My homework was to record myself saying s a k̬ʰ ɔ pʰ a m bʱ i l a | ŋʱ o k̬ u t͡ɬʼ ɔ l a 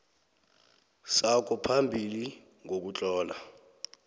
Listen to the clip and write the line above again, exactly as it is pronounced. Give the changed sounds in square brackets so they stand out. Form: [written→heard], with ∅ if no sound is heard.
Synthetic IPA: s a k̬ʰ ɔ pʰ a m bʱ i l [a→i] | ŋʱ o k̬ u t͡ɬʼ [ɔ→ɔː] l a